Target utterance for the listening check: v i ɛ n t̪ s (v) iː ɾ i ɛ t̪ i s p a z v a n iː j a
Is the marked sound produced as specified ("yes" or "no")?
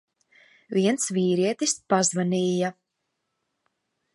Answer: yes